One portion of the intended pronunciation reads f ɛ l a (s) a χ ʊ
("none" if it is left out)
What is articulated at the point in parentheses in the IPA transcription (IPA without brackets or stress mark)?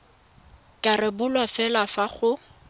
f